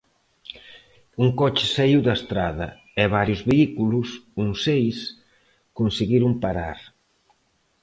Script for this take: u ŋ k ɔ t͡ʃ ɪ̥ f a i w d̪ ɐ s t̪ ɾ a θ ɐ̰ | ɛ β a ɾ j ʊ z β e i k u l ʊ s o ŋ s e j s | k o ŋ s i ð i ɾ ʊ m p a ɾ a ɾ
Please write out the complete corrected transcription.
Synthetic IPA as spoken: u ŋ k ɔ t͡ʃ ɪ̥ s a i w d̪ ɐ s t̪ ɾ a ð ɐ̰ | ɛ β a ɾ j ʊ z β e i k u l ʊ s u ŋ s e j s | k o n s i ɣ i ɾ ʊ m p a ɾ a ɾ